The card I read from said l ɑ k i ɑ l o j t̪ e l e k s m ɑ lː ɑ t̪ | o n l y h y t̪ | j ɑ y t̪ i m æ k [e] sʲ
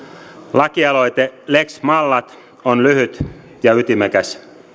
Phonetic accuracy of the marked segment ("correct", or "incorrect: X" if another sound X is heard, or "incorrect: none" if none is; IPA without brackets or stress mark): incorrect: æ